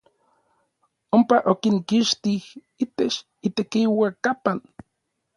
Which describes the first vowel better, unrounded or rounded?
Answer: rounded